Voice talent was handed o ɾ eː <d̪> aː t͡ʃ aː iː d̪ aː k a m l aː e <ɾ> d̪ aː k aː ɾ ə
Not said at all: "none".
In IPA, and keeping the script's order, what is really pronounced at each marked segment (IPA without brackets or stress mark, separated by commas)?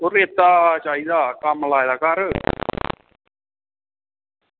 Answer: t̪, none